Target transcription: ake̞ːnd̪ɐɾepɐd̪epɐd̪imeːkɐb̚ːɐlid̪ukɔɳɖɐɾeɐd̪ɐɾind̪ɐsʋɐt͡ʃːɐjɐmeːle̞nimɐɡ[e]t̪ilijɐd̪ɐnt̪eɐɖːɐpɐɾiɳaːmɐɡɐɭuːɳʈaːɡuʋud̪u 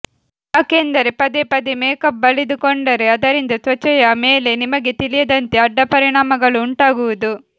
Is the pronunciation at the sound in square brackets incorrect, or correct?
correct